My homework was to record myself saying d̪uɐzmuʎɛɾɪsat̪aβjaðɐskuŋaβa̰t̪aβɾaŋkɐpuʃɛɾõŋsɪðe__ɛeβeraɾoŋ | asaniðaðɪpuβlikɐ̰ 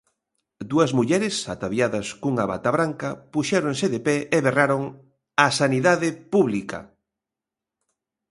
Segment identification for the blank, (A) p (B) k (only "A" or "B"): A